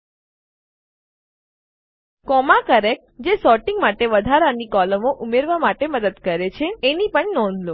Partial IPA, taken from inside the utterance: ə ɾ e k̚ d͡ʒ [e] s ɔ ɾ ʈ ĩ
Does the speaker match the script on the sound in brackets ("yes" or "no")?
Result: yes